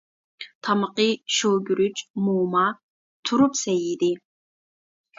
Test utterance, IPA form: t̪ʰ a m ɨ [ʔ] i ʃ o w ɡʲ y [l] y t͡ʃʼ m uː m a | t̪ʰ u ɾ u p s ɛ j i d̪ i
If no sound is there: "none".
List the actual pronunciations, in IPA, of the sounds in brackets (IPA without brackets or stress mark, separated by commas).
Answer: q, ɾ